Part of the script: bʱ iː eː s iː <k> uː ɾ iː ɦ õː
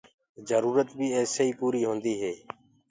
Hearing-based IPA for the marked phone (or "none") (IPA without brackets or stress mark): p